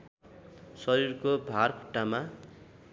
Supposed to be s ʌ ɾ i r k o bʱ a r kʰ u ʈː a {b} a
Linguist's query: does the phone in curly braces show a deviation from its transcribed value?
yes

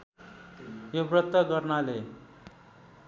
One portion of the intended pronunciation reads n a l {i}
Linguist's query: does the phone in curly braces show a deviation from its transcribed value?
yes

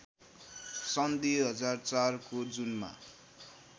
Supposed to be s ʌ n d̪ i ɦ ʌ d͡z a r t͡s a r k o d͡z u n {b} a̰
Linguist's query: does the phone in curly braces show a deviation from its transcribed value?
yes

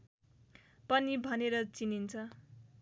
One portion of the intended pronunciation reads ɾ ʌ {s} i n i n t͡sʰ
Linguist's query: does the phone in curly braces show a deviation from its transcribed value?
yes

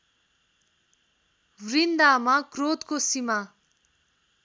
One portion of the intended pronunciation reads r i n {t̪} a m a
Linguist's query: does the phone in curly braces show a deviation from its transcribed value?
yes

